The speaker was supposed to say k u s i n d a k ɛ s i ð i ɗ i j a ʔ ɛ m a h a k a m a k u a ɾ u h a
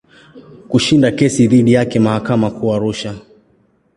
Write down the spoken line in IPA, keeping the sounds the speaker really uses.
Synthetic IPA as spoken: k u ʃ i n d a k ɛ s i ð i ɗ i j a k ɛ m a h a k a m a k u a ɾ u ʃ a